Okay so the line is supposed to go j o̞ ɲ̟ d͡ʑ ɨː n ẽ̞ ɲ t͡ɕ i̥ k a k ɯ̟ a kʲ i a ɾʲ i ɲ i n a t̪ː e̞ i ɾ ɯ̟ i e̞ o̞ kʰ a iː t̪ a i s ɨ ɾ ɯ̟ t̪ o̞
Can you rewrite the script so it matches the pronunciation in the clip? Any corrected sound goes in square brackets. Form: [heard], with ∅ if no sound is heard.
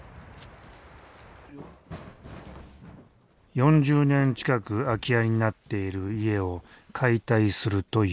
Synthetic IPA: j [õ̞] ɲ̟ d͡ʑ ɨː n ẽ̞ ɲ t͡ɕ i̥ k a k ɯ̟ a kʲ i a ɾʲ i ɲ i n a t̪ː e̞ i ɾ ɯ̟ i e̞ o̞ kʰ a [i] t̪ a i s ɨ ɾ ɯ̟ t̪ o̞